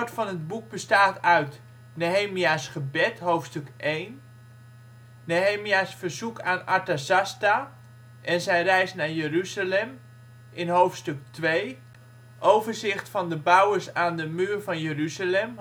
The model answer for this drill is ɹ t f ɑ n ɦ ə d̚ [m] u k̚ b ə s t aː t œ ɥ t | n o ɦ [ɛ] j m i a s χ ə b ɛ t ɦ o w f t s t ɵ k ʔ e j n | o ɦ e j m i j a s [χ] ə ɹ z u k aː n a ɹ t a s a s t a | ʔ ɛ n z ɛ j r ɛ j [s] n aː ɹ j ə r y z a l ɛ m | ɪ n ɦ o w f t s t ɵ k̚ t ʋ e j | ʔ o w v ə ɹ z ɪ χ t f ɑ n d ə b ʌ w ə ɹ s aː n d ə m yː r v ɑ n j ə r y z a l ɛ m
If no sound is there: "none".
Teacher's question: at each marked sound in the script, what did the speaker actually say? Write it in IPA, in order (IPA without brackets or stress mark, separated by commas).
b, e, f, s